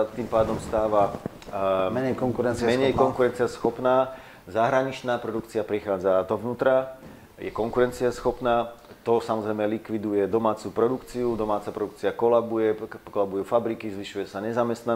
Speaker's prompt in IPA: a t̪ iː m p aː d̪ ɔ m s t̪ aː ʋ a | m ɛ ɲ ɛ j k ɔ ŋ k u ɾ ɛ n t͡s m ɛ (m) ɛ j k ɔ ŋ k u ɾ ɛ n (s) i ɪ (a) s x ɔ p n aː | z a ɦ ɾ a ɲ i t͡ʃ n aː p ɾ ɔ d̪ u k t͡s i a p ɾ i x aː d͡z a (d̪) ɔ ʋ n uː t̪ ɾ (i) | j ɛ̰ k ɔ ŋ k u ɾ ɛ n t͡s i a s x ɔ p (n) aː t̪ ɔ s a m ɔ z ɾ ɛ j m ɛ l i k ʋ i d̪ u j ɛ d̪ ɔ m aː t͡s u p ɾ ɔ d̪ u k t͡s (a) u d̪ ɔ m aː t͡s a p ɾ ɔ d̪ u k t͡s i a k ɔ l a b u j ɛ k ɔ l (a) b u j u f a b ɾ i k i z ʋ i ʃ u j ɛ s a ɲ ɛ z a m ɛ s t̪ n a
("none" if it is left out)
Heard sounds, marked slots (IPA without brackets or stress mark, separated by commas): ɲ, t͡s, a, d̪, a, n, i, a